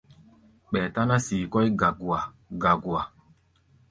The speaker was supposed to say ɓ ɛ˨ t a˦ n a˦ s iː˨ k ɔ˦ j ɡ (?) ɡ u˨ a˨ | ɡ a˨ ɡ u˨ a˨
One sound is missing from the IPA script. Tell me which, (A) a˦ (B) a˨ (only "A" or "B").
B